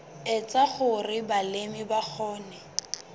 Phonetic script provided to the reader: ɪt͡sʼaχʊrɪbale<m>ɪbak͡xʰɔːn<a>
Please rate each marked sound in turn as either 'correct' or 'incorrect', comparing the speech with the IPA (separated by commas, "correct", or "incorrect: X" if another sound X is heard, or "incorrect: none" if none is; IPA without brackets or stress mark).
correct, incorrect: ɛ